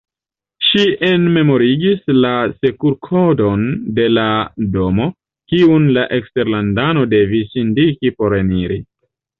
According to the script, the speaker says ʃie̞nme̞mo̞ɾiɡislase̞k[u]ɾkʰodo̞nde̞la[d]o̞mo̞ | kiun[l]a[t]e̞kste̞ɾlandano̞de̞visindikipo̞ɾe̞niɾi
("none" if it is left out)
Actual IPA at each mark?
u, d, l, ʔ

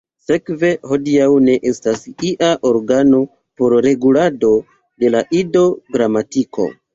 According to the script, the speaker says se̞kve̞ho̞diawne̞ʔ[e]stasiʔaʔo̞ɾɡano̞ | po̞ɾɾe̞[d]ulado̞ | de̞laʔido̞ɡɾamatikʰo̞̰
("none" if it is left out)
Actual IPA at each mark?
e, ɡ

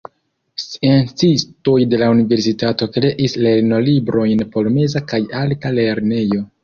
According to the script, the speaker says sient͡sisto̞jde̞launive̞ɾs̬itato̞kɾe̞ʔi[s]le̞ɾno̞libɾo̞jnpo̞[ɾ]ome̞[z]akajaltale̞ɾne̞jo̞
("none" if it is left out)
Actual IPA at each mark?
s, l, z

